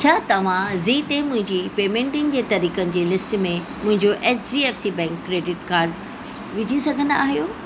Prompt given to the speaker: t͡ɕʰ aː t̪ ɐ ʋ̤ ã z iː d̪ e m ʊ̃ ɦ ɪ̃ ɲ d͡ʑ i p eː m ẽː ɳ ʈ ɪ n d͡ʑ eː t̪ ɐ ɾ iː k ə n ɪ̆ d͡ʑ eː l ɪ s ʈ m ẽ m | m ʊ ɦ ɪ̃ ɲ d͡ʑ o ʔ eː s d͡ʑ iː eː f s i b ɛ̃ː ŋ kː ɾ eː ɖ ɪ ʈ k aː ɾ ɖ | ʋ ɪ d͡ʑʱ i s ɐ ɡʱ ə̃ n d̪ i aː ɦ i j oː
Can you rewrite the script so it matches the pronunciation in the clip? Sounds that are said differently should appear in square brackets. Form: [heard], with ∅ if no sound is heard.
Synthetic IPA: t͡ɕʰ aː t̪ ɐ ʋ̤ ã z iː [t̪] e m ʊ̃ ɦ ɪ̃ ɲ d͡ʑ i p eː m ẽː ɳ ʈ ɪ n d͡ʑ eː t̪ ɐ ɾ iː k ə n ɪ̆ d͡ʑ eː l ɪ s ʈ m ẽ [∅] | m [ʊ̃] ɦ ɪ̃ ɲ d͡ʑ o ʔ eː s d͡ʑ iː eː f s i b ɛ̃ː ŋ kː ɾ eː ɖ ɪ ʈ k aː ɾ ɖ | ʋ ɪ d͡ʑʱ i s ɐ ɡʱ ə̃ n d̪ [a] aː ɦ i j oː